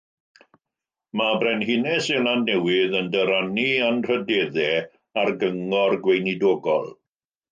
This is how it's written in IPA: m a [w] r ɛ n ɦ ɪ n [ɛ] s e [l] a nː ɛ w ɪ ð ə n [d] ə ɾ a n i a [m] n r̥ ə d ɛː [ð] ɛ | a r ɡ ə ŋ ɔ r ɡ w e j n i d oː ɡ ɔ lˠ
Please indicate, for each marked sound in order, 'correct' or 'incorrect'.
incorrect: b, correct, correct, correct, incorrect: none, correct

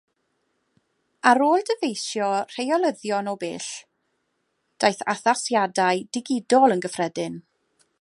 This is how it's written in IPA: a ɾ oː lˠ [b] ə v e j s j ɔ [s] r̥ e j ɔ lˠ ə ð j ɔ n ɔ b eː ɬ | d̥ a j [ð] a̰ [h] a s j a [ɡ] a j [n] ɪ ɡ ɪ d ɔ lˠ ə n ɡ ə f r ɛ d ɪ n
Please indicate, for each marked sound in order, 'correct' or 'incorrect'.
incorrect: d, incorrect: none, incorrect: θ, incorrect: θ, incorrect: d, incorrect: d

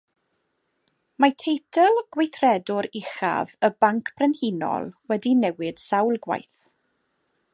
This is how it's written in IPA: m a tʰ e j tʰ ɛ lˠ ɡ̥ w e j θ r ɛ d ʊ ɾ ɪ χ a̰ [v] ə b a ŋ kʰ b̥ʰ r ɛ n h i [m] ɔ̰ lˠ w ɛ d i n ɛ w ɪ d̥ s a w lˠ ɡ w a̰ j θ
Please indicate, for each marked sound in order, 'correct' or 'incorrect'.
correct, incorrect: n

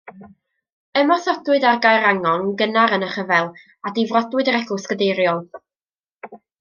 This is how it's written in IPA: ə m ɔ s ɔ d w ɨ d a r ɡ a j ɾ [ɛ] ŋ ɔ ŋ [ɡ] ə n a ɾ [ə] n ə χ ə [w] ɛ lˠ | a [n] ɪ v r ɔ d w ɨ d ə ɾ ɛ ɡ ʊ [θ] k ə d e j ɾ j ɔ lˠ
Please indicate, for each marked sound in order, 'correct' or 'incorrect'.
incorrect: a, correct, correct, incorrect: v, incorrect: d, incorrect: s

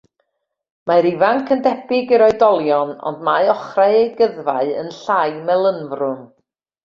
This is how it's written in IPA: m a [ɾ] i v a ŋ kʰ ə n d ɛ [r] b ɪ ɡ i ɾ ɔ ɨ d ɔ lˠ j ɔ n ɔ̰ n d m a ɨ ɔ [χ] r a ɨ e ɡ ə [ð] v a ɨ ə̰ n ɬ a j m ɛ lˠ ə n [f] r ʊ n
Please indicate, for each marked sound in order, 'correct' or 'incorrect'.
correct, incorrect: none, correct, correct, incorrect: v

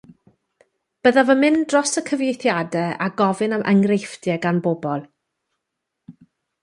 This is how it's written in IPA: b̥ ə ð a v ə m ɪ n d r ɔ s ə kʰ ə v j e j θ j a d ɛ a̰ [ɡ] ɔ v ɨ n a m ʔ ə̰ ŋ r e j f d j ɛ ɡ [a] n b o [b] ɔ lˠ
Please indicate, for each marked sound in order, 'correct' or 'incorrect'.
correct, correct, correct

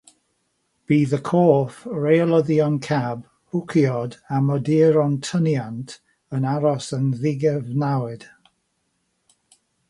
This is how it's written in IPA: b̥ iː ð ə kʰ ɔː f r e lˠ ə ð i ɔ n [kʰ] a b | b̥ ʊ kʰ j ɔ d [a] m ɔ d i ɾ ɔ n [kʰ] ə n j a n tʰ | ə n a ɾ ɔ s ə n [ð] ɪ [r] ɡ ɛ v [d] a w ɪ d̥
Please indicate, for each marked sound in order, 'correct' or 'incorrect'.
correct, correct, incorrect: tʰ, correct, incorrect: none, incorrect: n

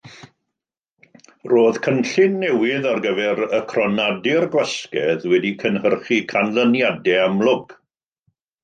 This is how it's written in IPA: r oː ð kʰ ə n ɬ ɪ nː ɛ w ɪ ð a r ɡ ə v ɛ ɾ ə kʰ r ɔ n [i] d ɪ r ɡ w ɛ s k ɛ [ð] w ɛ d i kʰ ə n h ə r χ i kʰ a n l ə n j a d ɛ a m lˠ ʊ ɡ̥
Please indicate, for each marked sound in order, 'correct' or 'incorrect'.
incorrect: a, correct

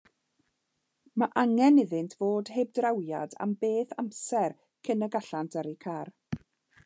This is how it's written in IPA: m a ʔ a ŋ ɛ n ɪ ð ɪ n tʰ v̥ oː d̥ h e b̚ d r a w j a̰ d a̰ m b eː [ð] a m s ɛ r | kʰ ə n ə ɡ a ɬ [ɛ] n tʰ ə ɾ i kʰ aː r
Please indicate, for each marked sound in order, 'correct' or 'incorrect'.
incorrect: θ, incorrect: a

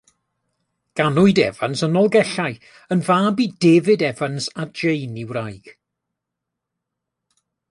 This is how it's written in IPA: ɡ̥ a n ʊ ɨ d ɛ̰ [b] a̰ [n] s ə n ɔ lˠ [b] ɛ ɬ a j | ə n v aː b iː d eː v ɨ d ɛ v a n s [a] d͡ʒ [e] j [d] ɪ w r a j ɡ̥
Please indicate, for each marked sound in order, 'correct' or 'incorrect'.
incorrect: v, correct, incorrect: ɡ, correct, correct, incorrect: n

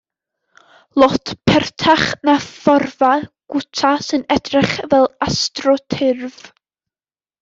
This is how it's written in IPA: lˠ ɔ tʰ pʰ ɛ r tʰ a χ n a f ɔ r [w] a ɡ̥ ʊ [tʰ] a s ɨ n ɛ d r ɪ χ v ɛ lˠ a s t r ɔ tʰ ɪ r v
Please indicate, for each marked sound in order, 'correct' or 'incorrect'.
incorrect: v, correct

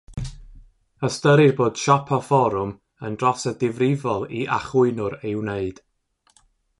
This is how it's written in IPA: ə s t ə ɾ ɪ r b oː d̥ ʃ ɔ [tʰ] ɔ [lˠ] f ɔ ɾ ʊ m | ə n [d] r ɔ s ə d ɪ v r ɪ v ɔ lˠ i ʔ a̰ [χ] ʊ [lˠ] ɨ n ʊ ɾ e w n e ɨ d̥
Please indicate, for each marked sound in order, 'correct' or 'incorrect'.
incorrect: pʰ, incorrect: none, correct, correct, incorrect: none

